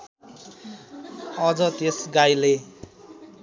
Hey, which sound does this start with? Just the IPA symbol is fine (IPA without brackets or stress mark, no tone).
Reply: ʌ